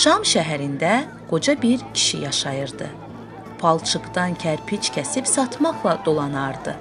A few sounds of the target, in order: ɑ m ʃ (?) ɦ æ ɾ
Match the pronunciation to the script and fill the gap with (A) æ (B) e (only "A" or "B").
A